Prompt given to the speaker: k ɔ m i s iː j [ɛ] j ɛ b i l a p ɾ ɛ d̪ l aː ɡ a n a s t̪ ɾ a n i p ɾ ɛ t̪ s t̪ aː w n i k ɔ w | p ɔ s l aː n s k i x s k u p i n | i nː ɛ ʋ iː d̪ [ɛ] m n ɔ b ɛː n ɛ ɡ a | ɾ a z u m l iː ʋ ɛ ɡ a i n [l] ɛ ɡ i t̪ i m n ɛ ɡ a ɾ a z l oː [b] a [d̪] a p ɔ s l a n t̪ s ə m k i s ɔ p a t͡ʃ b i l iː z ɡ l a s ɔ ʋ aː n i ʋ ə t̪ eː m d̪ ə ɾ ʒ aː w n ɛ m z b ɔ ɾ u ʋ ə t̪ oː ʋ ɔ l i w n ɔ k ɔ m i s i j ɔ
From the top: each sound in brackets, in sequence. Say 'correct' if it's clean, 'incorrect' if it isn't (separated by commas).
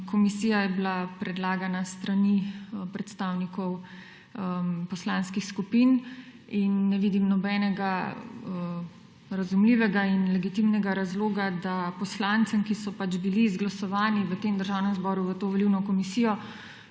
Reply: incorrect, incorrect, correct, incorrect, correct